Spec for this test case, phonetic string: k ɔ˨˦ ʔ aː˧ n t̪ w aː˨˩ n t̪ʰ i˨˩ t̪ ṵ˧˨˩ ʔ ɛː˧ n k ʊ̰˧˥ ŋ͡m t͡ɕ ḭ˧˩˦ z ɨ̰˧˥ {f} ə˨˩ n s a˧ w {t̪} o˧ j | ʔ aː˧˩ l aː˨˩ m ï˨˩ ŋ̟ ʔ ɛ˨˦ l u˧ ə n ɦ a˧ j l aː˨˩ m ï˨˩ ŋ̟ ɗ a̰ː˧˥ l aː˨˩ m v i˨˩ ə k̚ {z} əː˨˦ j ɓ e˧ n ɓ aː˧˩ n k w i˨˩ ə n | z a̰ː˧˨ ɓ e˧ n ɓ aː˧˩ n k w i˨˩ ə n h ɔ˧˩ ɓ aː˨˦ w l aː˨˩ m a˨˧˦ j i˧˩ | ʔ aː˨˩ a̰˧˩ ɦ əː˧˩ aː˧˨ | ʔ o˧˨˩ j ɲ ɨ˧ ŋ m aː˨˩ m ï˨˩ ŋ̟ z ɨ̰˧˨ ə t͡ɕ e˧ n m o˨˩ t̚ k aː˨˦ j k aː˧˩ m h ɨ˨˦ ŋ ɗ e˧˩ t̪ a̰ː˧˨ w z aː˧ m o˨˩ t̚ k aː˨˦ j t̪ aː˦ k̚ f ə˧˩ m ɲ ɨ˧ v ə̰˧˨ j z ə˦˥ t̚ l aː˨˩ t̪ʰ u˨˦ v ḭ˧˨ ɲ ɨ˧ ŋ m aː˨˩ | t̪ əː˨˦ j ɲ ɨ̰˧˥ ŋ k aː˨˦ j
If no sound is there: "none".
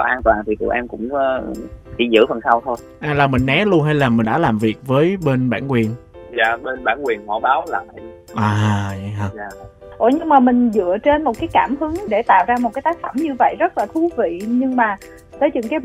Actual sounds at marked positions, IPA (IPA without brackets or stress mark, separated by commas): f, t̪ʰ, v